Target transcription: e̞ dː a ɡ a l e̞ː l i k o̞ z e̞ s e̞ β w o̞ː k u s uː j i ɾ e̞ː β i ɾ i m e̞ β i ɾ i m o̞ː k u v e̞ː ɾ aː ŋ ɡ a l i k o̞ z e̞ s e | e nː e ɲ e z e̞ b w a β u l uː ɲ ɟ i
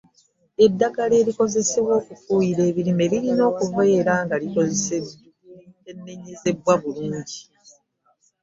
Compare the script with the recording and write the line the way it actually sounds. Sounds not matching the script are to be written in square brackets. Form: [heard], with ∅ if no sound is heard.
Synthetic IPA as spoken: e̞ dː a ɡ a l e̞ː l i k o̞ z e̞ s e̞ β w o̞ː k u [f] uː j i ɾ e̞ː β i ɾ i m e̞ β i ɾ i [n] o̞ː k u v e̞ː ɾ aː ŋ ɡ a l i k o̞ z e̞ s e | e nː e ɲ e z e̞ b w a β u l uː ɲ ɟ i